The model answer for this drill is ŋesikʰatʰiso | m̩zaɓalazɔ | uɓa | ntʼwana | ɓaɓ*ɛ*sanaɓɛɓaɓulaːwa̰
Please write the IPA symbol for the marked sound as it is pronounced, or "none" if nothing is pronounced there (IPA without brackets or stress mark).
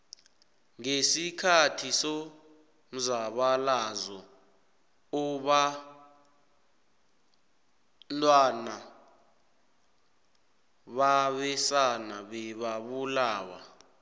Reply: ɛ